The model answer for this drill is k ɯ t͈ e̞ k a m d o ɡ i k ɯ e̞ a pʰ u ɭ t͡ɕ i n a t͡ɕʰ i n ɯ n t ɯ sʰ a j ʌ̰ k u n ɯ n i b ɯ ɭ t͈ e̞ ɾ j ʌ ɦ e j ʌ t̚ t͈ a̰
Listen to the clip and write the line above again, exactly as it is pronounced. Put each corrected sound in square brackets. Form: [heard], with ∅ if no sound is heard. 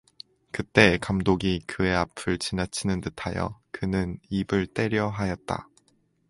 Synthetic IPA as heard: k ɯ t͈ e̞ k a m d o ɡ i k ɯ e̞ a pʰ [ɯ] ɭ t͡ɕ i n a t͡ɕʰ i n ɯ n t ɯ [tʰ] a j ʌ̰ k [ɯ] n ɯ n i b ɯ ɭ t͈ e̞ ɾ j ʌ ɦ [a] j ʌ t̚ t͈ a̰